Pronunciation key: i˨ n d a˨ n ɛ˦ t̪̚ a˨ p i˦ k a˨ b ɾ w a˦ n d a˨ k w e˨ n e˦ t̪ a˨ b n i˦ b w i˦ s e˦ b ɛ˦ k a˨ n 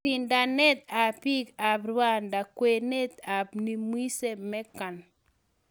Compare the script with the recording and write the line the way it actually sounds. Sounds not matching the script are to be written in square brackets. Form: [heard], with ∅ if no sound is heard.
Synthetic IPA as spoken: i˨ n d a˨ n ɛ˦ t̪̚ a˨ p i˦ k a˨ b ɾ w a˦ n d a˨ k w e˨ n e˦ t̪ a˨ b n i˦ [m] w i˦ s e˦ [m] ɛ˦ k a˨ n